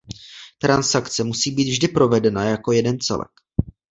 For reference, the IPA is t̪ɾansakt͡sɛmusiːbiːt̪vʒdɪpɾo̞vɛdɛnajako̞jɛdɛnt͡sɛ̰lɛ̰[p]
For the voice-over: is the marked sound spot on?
no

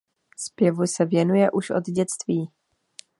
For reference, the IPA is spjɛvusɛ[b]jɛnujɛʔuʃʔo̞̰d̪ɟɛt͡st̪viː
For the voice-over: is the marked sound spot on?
no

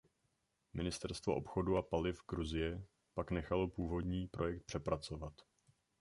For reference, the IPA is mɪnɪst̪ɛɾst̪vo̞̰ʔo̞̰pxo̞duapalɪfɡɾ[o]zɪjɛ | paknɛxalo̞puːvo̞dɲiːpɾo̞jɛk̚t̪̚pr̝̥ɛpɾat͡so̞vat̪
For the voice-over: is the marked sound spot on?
no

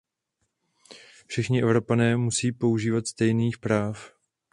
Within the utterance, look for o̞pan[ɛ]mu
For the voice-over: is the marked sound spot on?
no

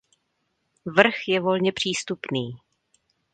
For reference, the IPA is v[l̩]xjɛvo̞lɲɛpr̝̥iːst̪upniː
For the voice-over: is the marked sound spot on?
no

